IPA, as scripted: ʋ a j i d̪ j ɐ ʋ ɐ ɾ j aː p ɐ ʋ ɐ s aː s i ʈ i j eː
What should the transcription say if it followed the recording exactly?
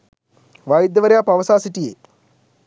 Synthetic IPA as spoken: ʋ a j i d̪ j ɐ ʋ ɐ ɾ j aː p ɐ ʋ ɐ s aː s i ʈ i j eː